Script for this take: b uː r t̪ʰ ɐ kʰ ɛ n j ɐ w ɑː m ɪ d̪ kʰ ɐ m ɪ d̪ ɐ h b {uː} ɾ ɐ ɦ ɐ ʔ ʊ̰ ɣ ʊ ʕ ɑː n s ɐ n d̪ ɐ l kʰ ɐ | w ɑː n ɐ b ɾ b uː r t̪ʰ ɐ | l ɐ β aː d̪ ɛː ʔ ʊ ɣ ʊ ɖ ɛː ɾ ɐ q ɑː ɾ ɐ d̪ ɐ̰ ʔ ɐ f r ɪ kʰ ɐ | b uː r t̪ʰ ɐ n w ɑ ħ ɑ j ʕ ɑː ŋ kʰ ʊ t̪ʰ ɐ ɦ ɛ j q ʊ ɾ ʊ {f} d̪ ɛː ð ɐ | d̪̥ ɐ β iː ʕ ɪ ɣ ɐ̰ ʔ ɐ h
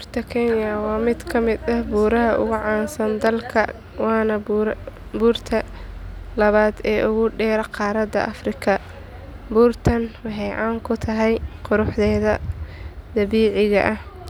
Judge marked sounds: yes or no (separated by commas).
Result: yes, no